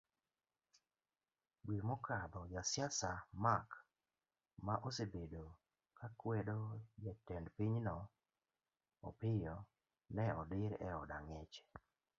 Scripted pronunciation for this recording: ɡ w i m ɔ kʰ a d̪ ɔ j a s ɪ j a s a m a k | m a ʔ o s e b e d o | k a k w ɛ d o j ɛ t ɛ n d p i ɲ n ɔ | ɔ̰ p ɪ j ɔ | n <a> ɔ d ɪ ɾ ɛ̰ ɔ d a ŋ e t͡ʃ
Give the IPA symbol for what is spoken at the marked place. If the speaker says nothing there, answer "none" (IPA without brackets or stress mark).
ɛ